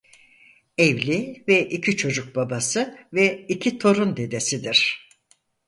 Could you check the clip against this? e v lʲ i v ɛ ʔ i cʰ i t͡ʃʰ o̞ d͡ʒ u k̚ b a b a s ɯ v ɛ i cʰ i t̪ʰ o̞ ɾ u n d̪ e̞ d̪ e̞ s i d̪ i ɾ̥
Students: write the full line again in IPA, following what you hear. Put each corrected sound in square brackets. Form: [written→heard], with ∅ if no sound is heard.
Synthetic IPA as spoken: e v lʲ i v ɛ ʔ i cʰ i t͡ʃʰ o̞ d͡ʒ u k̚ b a b a s ɯ v ɛ i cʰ i t̪ʰ o̞ ɾ u n d̪ e̞ d̪ e̞ s i d̪ i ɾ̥